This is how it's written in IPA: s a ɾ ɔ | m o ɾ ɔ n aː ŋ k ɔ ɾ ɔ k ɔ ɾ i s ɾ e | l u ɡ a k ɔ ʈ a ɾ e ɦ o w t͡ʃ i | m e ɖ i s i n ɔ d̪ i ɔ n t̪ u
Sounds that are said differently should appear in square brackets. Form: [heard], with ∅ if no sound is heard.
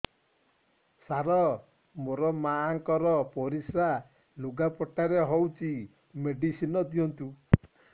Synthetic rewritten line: s a ɾ ɔ | m o ɾ ɔ [m] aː ŋ k ɔ ɾ ɔ [p] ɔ ɾ i s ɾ [a] | l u ɡ a [p] ɔ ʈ a ɾ e ɦ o w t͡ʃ i | m e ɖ i s i n ɔ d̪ i ɔ n t̪ u

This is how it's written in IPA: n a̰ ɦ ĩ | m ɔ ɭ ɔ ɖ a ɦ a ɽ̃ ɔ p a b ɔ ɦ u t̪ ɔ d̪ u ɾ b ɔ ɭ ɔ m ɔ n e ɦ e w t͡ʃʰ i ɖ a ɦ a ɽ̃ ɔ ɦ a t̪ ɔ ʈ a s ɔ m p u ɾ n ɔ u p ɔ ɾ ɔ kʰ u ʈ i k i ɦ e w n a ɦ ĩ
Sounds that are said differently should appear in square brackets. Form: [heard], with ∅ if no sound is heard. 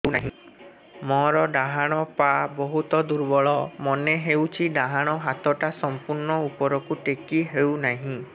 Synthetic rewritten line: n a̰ ɦ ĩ | m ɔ [ɾ] ɔ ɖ a ɦ a ɽ̃ ɔ p a b ɔ ɦ u t̪ ɔ d̪ u ɾ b ɔ ɭ ɔ m ɔ n e ɦ e w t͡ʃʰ i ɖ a ɦ a ɽ̃ ɔ ɦ a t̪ ɔ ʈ a s ɔ m p u ɾ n ɔ u p ɔ ɾ ɔ [k] u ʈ [e] k i ɦ e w n a ɦ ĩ

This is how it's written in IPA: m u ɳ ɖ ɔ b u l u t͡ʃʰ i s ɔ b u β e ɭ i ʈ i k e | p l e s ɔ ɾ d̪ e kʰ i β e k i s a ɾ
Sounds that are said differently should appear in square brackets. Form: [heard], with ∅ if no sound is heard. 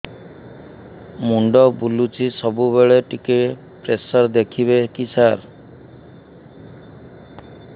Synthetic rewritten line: m u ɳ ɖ ɔ b u l u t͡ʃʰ i s ɔ b u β e ɭ [e] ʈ i k e | p [ɾ] e s ɔ ɾ d̪ e kʰ i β e k i s a ɾ

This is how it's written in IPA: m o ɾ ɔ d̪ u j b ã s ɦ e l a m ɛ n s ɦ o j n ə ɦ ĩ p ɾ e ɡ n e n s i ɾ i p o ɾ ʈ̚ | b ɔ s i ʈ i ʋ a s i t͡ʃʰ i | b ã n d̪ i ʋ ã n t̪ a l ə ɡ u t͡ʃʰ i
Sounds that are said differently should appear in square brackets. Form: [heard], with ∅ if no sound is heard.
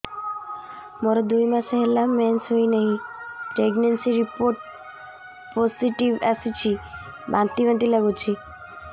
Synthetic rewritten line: m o ɾ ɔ d̪ u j [m] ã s ɦ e l a m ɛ n s ɦ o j n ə ɦ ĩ p ɾ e ɡ n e n s i ɾ i p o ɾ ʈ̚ | [p] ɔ s i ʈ i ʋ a s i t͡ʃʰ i | b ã n [t̪] i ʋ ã n t̪ [i] l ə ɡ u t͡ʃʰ i

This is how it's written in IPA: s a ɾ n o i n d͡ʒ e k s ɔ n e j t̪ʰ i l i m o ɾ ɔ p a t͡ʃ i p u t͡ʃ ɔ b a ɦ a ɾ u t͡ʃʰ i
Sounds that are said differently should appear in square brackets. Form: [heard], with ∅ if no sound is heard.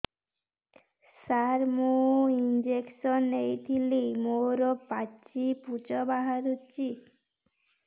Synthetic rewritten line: s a ɾ [m] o i n d͡ʒ e k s ɔ n e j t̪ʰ i l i m o ɾ ɔ p a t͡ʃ i p u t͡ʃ ɔ b a ɦ a ɾ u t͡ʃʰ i

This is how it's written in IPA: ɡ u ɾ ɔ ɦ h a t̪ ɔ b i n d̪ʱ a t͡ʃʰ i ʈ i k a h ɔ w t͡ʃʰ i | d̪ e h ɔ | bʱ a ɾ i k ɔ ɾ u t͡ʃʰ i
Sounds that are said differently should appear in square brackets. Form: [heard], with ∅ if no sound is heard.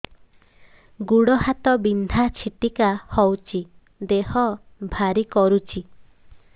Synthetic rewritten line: ɡ u [ɽ] ɔ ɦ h a t̪ ɔ b i n d̪ʱ a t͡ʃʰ i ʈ i k a h ɔ w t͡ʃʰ i | d̪ e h ɔ | bʱ a ɾ i k ɔ ɾ u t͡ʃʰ i

